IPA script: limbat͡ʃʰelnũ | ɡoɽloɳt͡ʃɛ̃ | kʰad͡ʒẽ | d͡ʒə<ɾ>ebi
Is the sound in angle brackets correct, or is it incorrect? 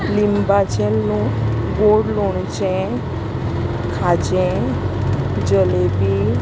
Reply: incorrect